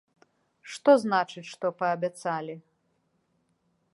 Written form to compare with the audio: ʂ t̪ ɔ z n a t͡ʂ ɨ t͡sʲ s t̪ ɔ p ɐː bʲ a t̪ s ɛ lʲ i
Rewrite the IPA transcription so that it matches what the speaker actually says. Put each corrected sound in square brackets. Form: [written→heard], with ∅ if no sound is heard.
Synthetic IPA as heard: ʂ t̪ ɔ z n a t͡ʂ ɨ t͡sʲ [s→ʂ] t̪ ɔ p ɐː bʲ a t̪ s [ɛ→a] lʲ i